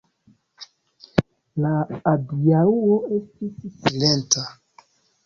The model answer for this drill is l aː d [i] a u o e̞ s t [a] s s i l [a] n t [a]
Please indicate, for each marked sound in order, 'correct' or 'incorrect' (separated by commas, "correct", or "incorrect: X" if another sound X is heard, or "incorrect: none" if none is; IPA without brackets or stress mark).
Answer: correct, incorrect: i, incorrect: e, correct